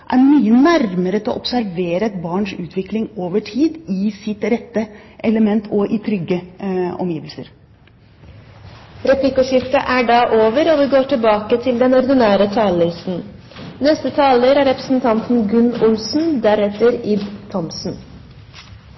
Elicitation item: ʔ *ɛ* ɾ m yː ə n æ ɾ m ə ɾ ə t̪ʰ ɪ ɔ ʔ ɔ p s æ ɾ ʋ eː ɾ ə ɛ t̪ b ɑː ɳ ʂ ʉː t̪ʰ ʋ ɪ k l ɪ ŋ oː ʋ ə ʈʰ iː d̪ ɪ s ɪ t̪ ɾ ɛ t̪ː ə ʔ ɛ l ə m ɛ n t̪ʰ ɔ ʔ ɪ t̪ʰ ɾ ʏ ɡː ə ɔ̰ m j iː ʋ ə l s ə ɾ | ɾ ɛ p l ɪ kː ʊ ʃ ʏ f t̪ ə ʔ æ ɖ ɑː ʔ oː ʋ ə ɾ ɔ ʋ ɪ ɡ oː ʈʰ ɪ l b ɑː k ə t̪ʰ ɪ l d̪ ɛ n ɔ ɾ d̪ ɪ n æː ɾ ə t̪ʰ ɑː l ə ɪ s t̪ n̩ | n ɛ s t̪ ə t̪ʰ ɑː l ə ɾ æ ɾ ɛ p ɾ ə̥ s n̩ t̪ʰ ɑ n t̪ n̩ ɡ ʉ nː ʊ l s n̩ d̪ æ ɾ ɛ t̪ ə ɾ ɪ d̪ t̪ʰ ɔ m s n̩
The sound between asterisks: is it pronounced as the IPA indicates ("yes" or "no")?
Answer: no